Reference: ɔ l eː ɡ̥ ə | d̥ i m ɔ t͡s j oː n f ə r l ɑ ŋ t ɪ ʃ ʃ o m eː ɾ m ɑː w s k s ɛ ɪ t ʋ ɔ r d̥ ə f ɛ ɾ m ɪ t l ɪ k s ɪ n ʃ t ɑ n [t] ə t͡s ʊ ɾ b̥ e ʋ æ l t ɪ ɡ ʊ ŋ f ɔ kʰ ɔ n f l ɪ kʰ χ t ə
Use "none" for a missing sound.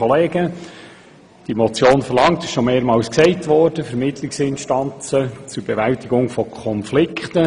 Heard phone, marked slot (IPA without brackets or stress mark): t͡s